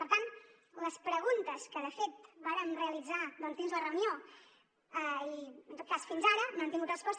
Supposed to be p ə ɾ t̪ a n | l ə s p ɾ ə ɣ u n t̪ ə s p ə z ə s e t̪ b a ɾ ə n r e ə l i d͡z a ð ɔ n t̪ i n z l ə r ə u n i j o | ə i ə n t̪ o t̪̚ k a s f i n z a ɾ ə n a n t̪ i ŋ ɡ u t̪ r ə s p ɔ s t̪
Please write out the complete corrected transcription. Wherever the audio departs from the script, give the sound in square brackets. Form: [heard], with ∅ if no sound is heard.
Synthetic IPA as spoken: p ə ɾ t̪ a n | l ə s p ɾ ə ɣ u n t̪ ə s [k] ə [ð] ə [f] e t̪ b a ɾ ə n r e ə l i d͡z a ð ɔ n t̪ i n z l ə r ə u n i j o | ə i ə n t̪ o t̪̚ k a s f i n z a ɾ ə n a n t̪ i ŋ ɡ u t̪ r ə s p ɔ s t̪